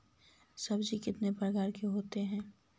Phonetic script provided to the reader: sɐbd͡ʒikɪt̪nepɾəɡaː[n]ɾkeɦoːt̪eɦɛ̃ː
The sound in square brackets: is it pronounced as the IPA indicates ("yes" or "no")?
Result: no